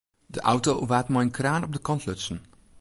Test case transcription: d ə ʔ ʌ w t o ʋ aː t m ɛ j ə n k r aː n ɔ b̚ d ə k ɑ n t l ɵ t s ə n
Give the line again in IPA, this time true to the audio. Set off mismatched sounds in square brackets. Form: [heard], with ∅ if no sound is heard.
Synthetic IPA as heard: d ə ʔ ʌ w t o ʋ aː t m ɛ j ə n k r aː n ɔ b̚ d ə k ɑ n t l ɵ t s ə n